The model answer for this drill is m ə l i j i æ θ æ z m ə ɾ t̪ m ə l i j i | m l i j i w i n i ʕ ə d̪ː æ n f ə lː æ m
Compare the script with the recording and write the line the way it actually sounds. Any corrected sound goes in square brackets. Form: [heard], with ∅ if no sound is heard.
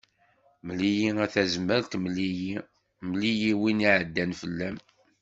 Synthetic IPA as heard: m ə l i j i æ θ æ z m ə ɾ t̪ m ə l i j i | m l i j i w i n i ʕ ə d̪ː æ n f ə lː æ m